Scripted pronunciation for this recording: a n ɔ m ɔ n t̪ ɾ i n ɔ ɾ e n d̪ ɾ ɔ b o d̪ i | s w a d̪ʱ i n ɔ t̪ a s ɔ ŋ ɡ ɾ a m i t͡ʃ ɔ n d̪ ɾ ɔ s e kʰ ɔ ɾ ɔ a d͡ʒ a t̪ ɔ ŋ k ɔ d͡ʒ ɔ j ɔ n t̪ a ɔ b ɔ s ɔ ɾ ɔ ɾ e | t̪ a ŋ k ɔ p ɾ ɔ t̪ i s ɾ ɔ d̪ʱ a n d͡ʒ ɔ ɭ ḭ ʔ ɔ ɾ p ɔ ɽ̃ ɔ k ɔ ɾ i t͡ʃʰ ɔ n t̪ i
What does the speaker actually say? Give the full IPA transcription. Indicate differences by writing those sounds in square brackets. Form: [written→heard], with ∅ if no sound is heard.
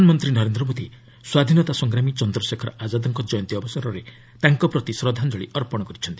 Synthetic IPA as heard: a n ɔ m ɔ n t̪ ɾ i n ɔ ɾ e n d̪ ɾ ɔ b o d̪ i | s w a d̪ʱ i n ɔ t̪ a s ɔ ŋ ɡ ɾ a m i t͡ʃ ɔ n d̪ ɾ ɔ s e kʰ ɔ ɾ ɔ a d͡ʒ a [t̪→d̪] ɔ ŋ k ɔ d͡ʒ ɔ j ɔ n t̪ [a→i] ɔ b ɔ s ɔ ɾ ɔ ɾ e | t̪ a ŋ k ɔ p ɾ ɔ t̪ i s ɾ ɔ d̪ʱ a n d͡ʒ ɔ ɭ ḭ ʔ ɔ ɾ p ɔ ɽ̃ ɔ k ɔ ɾ i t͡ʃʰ ɔ n t̪ i